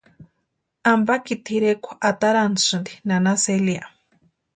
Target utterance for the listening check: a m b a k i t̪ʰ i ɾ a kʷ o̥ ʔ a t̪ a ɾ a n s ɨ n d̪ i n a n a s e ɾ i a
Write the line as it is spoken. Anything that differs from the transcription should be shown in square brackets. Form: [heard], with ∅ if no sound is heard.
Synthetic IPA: a m b a k i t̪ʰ i ɾ [e] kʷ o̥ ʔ a t̪ a ɾ a n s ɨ n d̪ i n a n a s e [l] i a